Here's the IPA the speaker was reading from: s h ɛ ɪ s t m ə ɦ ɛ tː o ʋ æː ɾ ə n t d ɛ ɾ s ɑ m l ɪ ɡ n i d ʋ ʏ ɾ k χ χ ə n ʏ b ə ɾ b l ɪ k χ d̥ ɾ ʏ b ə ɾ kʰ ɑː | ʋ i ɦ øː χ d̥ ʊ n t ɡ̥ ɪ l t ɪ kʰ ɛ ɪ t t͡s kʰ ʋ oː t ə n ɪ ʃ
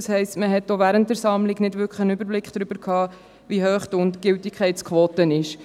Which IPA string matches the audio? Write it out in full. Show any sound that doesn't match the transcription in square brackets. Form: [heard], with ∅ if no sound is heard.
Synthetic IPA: s h ɛ ɪ s t m ə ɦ ɛ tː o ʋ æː ɾ ə n t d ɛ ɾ s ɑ m l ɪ ɡ n [ɪ] d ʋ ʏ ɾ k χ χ ə n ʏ b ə ɾ b l ɪ k χ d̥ ɾ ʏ b ə ɾ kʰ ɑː | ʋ i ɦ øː χ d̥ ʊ n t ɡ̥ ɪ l t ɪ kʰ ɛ ɪ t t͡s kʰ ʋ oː t ə n ɪ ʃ